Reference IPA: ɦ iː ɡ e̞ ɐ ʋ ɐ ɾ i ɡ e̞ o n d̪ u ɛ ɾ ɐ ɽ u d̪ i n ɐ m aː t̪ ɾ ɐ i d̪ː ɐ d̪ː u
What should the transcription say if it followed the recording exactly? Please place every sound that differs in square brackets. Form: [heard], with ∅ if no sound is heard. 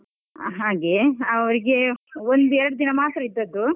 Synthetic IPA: ɦ [aː] ɡ e̞ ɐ ʋ ɐ ɾ i ɡ e̞ o n d̪ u ɛ ɾ ɐ ɽ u d̪ i n ɐ m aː t̪ ɾ ɐ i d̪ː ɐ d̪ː u